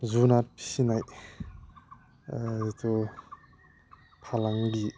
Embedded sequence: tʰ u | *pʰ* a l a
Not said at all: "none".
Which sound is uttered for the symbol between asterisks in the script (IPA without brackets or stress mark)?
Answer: pʰ